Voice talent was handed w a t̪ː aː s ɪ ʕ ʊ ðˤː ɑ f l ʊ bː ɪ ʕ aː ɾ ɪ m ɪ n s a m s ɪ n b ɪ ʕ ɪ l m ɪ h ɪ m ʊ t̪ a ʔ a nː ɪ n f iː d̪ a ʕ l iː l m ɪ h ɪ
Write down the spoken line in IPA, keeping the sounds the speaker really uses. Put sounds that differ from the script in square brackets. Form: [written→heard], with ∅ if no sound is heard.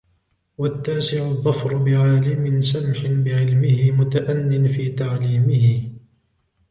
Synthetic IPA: w a t̪ː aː s ɪ ʕ ʊ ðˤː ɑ f [l→ɾ] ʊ [bː→b] ɪ ʕ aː [ɾ→l] ɪ m ɪ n s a m [s→ħ] ɪ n b ɪ ʕ ɪ l m ɪ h ɪ m ʊ t̪ a ʔ a nː ɪ n f iː [d̪→t̪] a ʕ l iː [l→∅] m ɪ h ɪ